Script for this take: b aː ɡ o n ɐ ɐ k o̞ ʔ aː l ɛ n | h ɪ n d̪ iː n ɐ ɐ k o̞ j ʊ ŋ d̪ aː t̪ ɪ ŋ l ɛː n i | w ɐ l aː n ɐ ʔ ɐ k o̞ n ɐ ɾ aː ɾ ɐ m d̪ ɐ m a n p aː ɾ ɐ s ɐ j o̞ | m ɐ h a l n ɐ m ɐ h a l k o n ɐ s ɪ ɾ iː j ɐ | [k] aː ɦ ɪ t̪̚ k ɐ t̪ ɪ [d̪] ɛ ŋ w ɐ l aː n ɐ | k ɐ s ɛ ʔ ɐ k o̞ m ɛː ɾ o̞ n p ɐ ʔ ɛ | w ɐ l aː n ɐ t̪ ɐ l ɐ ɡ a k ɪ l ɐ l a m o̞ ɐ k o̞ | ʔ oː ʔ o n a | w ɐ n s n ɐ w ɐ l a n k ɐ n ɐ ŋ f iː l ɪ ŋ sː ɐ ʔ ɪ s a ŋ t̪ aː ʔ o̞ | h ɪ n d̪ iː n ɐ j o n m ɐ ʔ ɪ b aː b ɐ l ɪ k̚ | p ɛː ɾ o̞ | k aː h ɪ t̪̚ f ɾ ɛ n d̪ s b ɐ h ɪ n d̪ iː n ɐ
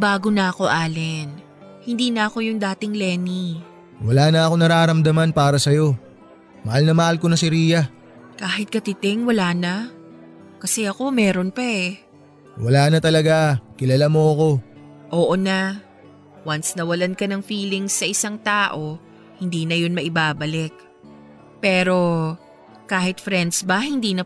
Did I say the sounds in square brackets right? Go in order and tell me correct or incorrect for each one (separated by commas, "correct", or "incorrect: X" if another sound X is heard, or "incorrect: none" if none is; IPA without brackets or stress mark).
correct, incorrect: t̪